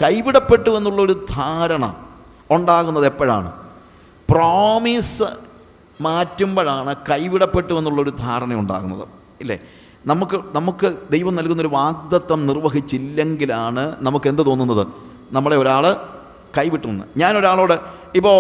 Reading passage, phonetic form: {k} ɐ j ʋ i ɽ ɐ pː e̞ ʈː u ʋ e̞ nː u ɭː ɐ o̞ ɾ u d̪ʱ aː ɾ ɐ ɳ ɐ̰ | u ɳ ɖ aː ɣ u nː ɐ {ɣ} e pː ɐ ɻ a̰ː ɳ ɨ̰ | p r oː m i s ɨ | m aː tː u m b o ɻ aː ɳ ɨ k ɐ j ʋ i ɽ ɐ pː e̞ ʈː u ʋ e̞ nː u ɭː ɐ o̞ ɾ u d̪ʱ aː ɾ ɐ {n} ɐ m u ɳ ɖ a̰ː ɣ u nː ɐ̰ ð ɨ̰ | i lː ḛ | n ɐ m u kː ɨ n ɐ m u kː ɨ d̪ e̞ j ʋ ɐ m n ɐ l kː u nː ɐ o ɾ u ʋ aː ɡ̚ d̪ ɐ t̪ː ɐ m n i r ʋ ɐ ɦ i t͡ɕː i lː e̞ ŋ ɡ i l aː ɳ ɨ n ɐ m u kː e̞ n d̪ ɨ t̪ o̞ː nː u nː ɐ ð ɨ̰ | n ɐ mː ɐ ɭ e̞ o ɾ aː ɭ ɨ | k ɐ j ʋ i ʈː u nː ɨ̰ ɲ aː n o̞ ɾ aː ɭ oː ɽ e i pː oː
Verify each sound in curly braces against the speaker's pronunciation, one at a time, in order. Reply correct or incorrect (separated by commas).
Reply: correct, incorrect, incorrect